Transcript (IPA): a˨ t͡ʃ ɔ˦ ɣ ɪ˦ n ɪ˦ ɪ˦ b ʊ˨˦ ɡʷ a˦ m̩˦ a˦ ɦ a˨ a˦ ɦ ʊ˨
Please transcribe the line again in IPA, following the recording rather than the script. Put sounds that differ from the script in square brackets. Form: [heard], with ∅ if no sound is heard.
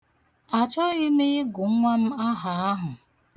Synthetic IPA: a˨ t͡ʃ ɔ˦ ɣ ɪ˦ [m] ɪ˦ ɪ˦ [ɡ] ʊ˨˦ [ŋʷ] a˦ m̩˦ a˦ ɦ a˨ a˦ ɦ ʊ˨